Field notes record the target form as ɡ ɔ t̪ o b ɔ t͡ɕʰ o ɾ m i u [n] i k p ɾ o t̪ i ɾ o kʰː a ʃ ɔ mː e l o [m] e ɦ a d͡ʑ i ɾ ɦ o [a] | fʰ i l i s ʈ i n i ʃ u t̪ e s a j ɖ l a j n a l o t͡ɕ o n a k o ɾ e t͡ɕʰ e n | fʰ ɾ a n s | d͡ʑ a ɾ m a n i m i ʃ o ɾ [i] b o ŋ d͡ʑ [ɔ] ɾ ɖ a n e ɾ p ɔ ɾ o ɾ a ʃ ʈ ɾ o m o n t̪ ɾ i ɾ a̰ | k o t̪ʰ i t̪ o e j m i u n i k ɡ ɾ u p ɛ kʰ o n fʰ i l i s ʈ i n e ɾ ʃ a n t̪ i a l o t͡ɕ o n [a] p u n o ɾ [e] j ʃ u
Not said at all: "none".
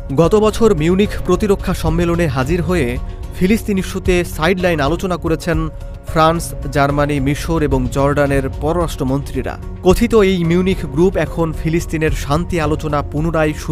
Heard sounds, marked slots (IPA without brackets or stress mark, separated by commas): n, n, e, e, ɔ, a, a